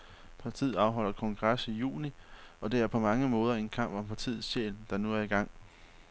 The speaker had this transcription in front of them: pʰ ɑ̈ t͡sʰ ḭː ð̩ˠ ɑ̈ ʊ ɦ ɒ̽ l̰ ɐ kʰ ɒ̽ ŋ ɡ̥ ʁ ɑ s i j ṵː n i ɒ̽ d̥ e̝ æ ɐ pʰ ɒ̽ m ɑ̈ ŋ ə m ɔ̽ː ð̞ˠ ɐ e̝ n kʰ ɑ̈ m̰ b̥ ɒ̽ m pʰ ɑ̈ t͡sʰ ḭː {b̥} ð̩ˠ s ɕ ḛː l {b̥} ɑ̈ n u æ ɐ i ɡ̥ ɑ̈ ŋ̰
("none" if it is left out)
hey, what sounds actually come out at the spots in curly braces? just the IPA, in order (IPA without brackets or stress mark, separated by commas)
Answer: none, d̥